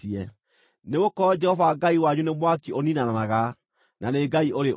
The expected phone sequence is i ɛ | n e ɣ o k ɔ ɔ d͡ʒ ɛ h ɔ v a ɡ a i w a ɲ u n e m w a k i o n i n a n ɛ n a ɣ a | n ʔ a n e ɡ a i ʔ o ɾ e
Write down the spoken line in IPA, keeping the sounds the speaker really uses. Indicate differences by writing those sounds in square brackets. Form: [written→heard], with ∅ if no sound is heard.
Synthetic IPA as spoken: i ɛ | n e ɣ o k ɔ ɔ d͡ʒ ɛ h ɔ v a ɡ a i w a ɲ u n e m w a k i o n i n a n [ɛ→a] n a ɣ a | n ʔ a n e ɡ a i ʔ o ɾ e